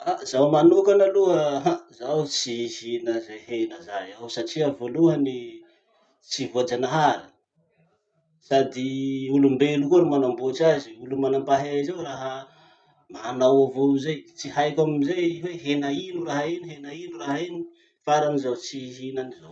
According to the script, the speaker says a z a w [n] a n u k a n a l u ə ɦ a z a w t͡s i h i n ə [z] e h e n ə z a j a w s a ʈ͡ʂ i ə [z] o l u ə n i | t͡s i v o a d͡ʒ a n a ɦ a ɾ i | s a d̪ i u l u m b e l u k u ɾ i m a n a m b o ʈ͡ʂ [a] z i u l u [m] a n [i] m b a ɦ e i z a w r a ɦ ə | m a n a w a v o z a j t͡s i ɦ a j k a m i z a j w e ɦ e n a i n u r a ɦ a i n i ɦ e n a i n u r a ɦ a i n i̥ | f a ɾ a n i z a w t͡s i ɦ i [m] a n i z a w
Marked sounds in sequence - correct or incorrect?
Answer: incorrect: m, correct, incorrect: v, correct, correct, incorrect: a, incorrect: n

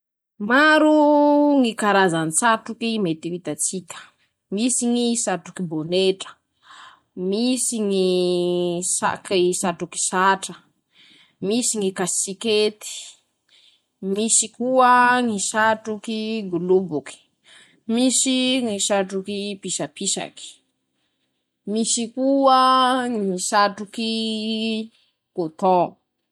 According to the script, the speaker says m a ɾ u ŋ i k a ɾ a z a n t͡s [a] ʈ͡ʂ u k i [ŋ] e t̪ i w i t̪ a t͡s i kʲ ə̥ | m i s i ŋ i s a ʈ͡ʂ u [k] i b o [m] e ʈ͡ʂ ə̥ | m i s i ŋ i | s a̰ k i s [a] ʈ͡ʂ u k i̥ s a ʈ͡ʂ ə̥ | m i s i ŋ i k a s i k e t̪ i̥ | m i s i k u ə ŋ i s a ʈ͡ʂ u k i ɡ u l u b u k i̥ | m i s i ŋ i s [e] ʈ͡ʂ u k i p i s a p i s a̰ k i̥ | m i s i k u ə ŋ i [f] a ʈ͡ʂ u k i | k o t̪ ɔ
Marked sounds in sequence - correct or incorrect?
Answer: correct, incorrect: m, correct, incorrect: n, correct, incorrect: a, incorrect: s

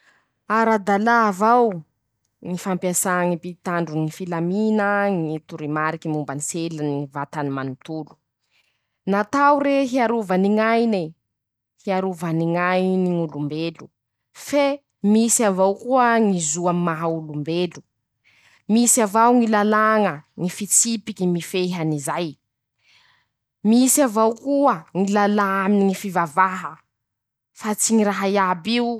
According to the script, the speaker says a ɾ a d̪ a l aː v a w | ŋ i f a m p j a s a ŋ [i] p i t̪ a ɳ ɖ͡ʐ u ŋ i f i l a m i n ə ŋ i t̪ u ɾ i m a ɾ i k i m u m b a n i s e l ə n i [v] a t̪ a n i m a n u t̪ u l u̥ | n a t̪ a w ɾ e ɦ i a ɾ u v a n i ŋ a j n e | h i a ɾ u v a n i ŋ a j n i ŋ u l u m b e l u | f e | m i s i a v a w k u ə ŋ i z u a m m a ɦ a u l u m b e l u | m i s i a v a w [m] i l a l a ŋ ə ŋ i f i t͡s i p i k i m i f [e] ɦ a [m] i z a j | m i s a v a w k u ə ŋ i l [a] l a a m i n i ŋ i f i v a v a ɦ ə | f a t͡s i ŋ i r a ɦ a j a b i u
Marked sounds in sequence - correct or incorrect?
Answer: correct, correct, incorrect: ŋ, correct, incorrect: n, correct

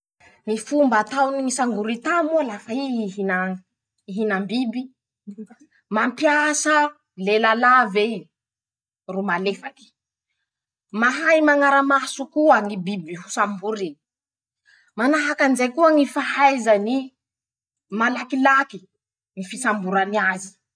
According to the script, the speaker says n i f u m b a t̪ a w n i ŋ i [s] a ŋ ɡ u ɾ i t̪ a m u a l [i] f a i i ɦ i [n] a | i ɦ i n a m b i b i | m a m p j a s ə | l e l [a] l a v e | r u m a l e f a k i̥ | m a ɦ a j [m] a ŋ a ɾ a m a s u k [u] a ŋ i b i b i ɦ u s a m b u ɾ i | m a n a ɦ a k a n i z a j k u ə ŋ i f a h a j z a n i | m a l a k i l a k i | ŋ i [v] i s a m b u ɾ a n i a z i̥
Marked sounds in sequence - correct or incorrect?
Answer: correct, incorrect: a, correct, correct, correct, correct, incorrect: f

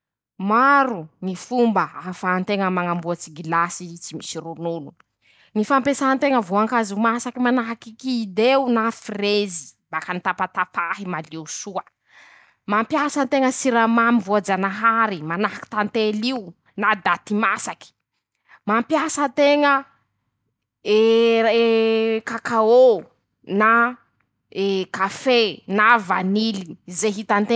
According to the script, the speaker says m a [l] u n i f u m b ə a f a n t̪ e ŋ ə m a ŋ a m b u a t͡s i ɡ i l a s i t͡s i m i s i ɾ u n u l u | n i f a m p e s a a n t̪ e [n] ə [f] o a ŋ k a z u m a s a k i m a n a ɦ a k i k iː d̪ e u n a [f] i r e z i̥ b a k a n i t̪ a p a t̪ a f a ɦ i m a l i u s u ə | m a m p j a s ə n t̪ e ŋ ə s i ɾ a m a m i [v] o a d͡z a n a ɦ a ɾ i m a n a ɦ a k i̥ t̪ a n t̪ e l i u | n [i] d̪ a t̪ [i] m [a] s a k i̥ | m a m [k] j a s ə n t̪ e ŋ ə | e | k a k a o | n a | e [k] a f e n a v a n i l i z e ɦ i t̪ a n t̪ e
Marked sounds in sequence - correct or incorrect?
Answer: incorrect: ɾ, incorrect: ŋ, incorrect: v, correct, correct, incorrect: a, correct, correct, incorrect: p, correct

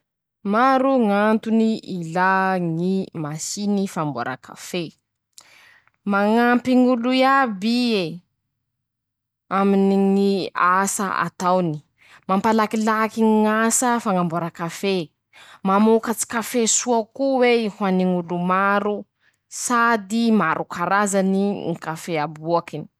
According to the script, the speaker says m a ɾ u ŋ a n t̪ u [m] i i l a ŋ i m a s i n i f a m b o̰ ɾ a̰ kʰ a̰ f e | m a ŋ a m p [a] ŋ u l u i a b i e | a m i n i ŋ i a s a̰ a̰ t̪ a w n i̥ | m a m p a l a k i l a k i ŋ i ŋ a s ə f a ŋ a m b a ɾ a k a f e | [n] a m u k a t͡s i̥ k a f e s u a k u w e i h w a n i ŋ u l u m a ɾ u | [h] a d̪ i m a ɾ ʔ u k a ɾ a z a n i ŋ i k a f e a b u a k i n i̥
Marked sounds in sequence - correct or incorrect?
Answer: incorrect: n, incorrect: i, incorrect: m, incorrect: s

